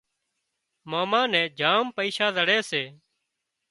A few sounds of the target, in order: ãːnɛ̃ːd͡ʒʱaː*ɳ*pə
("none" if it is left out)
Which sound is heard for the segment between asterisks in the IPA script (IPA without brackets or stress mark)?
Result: m